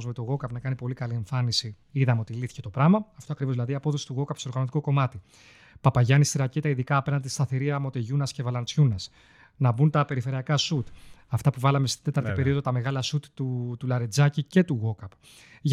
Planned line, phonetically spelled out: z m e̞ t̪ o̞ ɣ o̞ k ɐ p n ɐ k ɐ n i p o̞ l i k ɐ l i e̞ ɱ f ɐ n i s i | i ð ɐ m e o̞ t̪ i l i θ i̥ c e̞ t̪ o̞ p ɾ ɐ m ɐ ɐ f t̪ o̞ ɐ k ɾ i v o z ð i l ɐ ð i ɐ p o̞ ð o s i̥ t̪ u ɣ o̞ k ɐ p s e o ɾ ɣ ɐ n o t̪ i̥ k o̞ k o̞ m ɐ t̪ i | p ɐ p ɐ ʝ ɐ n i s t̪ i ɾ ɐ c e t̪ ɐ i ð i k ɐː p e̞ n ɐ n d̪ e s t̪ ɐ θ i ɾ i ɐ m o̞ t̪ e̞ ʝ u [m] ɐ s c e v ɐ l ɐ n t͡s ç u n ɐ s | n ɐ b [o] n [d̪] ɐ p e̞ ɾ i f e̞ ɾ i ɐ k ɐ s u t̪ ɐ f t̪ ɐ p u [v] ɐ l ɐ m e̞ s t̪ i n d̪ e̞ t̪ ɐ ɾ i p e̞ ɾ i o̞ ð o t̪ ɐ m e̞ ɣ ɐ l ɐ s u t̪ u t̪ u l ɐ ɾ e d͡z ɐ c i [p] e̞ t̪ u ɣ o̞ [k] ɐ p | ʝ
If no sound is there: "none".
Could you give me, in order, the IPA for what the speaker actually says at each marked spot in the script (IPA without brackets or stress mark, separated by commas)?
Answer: n, u, t̪, v, c, k